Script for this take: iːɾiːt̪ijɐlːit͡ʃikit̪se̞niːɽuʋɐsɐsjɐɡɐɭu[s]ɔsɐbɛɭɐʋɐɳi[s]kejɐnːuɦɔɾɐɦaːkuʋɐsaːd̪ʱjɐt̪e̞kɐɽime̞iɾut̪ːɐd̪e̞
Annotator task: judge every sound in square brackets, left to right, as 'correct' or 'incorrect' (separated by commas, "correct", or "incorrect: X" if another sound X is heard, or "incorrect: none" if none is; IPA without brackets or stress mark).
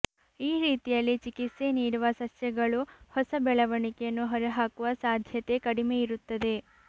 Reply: incorrect: h, incorrect: none